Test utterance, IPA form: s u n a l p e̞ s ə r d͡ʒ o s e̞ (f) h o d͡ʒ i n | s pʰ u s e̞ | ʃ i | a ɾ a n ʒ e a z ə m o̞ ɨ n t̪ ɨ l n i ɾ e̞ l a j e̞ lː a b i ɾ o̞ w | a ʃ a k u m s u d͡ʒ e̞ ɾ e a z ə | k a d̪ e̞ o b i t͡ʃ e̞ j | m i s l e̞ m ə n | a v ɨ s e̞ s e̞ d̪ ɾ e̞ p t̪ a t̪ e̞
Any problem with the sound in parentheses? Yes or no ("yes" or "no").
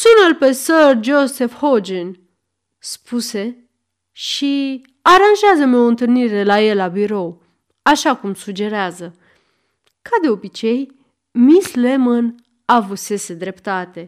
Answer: no